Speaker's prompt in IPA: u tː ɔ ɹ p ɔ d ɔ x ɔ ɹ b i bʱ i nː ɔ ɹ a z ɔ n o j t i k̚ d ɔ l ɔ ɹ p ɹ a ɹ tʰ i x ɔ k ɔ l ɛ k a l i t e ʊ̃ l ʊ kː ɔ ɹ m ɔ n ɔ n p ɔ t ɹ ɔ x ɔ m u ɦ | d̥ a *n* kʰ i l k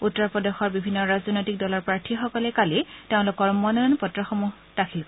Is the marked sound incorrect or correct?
incorrect: none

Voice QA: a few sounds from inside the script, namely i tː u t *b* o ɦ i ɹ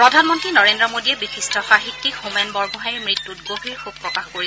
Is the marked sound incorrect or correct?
incorrect: ɡ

